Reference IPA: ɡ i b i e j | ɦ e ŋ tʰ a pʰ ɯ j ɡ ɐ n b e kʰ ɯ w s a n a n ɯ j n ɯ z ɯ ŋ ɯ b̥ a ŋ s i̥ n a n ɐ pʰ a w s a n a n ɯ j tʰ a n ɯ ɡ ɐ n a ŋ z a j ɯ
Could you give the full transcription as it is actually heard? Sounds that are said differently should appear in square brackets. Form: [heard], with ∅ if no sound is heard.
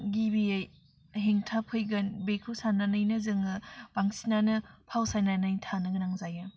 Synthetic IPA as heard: ɡ i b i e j | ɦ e ŋ tʰ a pʰ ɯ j ɡ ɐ n b e kʰ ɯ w s a n a n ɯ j n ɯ z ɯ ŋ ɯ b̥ a ŋ s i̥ n a n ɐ pʰ a w s a n a n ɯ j tʰ a n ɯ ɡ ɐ n a ŋ z a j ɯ